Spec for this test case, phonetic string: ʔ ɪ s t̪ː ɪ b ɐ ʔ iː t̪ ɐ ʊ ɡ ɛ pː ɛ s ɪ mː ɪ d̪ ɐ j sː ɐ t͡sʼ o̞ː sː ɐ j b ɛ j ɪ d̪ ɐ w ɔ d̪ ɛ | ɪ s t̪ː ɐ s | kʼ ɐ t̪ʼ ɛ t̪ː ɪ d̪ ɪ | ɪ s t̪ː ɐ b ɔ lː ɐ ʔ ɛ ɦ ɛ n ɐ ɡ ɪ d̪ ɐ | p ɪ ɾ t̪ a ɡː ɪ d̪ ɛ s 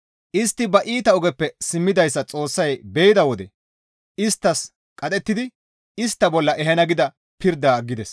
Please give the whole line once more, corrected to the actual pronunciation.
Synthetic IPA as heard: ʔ ɪ s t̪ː ɪ b ɐ ʔ iː t̪ ɐ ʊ ɡ ɛ pː ɛ s ɪ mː ɪ d̪ ɐ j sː ɐ t͡sʼ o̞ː sː ɐ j b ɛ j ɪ d̪ ɐ w ɔ d̪ ɛ | ɪ s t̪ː ɐ s | kʼ ɐ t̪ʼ ɛ t̪ː ɪ d̪ ɪ | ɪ s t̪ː ɐ b ɔ lː ɐ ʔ ɛ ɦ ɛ n ɐ ɡ ɪ d̪ ɐ | p ɪ ɾ d̪ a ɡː ɪ d̪ ɛ s